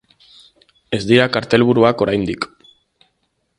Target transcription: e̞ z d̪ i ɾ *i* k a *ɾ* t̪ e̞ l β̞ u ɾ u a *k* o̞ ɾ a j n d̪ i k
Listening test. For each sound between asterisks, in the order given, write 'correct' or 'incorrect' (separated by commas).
incorrect, correct, correct